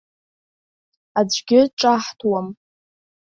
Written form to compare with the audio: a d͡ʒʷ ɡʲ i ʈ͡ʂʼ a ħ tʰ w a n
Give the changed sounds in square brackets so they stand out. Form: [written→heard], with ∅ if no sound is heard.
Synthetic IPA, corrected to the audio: a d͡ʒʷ ɡʲ [i→ɪ] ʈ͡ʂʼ a ħ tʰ w a [n→m]